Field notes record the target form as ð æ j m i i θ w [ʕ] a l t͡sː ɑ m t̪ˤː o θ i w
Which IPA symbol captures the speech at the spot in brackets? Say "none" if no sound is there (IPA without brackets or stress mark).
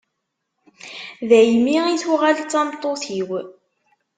ʁ